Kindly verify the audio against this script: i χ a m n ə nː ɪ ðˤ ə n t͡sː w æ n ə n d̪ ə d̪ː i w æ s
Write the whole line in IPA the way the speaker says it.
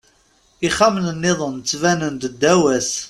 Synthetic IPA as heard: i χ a m n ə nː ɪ ðˤ ə n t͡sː v æ n ə n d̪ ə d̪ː æ w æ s